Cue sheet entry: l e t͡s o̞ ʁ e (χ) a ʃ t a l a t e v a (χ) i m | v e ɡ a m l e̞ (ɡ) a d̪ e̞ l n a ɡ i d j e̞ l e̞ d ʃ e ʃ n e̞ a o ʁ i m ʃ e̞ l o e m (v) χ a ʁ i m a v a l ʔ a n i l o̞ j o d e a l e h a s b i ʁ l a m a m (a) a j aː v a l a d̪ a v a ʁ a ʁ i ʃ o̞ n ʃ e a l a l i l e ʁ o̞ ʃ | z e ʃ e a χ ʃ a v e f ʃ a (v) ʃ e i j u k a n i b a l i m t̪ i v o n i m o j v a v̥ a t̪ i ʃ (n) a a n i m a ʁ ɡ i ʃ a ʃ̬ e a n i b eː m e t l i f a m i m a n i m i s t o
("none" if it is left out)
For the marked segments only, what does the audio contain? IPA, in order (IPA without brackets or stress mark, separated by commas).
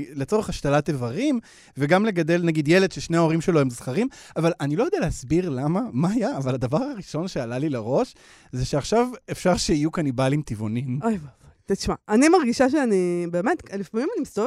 χ, ʁ, ɡ, z, a, ʁ, m